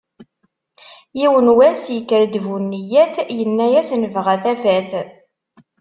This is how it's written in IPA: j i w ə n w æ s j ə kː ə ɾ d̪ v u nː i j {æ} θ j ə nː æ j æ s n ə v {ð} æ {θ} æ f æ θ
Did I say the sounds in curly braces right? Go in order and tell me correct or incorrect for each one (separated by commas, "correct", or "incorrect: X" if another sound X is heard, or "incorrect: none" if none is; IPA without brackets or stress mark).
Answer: correct, incorrect: ʁ, correct